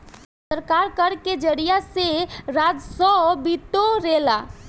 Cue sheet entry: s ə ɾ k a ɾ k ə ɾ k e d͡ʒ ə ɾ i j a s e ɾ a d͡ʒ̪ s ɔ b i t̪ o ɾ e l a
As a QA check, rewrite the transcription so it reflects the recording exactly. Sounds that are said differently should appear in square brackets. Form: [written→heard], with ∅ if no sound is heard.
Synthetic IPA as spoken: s ə ɾ k a ɾ k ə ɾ k e d͡ʒ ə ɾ i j a s e ɾ a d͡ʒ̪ s ɔ b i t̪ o ɾ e l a